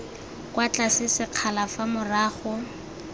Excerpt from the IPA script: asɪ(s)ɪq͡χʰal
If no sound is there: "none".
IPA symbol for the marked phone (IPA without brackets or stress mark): s